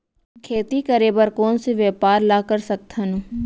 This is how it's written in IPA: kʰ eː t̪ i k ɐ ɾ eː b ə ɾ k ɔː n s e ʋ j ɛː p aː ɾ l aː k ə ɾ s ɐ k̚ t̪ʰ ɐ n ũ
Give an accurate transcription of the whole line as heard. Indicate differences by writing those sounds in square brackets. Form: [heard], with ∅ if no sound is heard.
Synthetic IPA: kʰ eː t̪ i k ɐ ɾ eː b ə ɾ k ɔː n s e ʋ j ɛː p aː ɾ l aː k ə ɾ s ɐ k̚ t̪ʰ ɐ n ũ